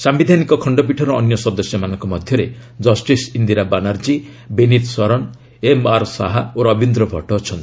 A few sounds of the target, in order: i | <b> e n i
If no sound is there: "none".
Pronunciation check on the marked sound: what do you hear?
b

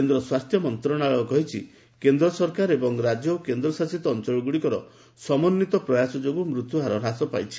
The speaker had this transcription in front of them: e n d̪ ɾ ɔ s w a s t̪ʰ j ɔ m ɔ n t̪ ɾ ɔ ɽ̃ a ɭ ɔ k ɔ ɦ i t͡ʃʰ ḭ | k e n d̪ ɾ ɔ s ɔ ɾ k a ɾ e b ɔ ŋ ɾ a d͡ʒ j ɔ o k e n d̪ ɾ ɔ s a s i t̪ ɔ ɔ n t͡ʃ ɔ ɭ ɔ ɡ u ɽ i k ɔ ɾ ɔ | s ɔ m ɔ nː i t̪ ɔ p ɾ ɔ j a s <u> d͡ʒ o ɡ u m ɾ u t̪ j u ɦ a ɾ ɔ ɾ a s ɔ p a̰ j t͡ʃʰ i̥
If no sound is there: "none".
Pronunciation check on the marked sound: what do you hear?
ɔ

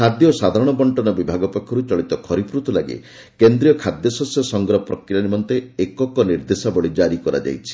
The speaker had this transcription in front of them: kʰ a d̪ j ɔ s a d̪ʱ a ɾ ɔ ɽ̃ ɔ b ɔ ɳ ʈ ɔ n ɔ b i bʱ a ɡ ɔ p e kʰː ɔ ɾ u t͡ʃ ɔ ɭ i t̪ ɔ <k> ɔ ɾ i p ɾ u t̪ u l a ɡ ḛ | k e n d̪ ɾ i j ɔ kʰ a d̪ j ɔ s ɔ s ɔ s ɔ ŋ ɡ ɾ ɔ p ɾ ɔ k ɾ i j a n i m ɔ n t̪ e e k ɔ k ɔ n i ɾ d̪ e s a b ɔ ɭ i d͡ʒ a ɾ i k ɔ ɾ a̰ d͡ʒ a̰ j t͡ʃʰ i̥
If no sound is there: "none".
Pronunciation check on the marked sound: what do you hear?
kʰ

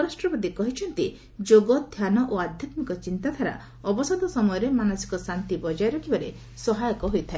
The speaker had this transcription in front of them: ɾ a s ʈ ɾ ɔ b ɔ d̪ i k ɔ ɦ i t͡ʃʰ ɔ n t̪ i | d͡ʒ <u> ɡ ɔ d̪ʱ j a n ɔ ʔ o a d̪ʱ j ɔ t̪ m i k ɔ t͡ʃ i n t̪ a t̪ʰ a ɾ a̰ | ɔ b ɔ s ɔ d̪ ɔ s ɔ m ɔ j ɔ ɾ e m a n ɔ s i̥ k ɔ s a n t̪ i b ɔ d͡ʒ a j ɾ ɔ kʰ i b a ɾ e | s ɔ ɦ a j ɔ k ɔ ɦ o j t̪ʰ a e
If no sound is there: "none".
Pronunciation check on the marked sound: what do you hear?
o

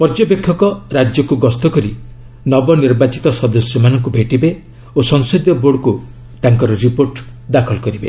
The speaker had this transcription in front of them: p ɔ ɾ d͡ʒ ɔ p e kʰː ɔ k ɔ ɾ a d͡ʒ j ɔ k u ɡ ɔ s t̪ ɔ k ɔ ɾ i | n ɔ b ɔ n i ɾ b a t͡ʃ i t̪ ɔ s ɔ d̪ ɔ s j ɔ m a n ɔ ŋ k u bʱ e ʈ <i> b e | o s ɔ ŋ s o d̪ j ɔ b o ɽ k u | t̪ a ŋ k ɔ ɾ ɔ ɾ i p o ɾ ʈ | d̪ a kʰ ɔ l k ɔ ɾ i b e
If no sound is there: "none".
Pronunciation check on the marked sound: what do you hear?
i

